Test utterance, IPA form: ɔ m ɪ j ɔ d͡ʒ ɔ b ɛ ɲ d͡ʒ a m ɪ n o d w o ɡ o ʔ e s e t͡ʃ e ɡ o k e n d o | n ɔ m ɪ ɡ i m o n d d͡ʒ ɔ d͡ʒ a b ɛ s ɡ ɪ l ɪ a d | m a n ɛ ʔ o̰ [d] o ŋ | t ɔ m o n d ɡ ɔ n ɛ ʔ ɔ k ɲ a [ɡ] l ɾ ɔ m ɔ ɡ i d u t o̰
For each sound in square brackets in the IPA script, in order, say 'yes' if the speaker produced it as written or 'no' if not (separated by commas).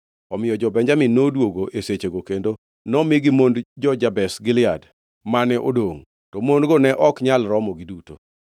yes, no